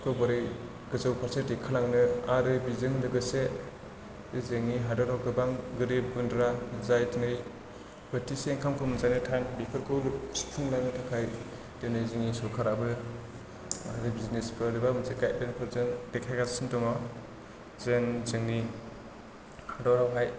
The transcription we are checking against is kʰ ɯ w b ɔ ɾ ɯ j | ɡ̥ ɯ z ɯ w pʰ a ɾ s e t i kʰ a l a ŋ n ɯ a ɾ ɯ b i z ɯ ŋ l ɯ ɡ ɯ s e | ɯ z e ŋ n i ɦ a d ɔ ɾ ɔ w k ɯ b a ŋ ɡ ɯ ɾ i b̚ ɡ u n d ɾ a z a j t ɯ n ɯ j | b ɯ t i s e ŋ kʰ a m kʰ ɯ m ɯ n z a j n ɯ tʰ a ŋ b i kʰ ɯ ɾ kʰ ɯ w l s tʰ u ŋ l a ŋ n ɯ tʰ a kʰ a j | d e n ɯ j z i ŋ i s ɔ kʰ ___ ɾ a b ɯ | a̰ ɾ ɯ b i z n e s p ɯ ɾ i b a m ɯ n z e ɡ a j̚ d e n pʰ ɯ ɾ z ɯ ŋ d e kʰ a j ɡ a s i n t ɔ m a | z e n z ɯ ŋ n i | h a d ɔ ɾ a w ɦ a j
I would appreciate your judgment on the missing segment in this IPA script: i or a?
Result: a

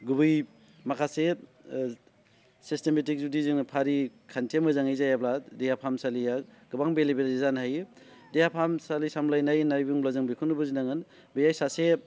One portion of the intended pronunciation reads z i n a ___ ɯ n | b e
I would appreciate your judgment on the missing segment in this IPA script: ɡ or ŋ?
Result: ŋ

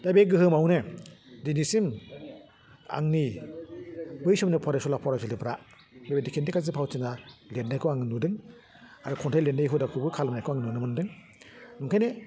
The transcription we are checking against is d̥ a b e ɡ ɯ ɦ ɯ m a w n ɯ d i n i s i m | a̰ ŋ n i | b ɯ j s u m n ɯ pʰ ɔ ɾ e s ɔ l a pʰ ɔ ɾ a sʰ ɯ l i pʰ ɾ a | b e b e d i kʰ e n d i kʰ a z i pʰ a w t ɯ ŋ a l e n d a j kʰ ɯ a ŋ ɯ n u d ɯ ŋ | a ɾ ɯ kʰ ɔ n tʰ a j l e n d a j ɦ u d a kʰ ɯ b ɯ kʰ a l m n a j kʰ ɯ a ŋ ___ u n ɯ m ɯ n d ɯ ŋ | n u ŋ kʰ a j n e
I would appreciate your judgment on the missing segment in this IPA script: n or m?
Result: n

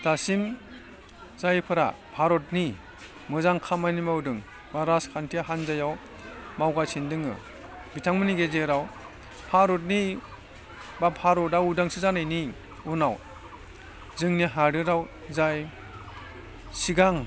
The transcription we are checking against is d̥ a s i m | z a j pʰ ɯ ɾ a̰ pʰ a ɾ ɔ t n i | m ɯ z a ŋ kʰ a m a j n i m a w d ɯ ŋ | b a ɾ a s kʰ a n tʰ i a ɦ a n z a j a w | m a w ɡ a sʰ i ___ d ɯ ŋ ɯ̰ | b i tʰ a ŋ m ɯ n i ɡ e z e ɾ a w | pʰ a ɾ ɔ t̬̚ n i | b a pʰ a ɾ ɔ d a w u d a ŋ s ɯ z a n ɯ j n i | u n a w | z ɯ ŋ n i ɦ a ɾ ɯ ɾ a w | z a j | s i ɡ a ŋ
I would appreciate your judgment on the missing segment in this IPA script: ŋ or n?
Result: n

